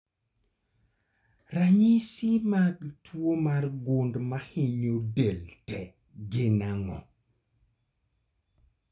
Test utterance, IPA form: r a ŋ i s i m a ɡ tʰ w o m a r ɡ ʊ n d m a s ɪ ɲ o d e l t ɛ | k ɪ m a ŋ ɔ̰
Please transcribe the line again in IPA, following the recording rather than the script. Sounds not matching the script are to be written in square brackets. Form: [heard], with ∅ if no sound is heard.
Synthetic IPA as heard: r a [ɲ] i s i m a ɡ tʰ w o m a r ɡ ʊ n d m a [h] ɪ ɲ o d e l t ɛ | [ɡ] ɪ [n] a ŋ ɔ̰